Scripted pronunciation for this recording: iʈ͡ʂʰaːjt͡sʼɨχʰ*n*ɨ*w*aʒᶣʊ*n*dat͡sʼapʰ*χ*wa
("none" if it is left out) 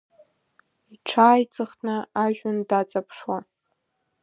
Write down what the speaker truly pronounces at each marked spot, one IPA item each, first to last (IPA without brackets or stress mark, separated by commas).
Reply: n, none, n, ʂ